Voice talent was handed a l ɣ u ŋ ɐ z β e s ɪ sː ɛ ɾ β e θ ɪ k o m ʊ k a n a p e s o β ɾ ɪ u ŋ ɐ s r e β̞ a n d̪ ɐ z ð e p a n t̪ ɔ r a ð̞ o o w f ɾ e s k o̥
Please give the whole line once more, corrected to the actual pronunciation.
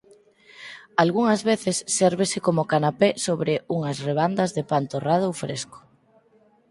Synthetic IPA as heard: a l ɣ u ŋ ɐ z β e θ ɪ sː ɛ ɾ β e s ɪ k o m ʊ k a n a p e s o β ɾ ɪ u ŋ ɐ s r e β̞ a n d̪ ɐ z ð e p a n t̪ o r a ð̞ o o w f ɾ e s k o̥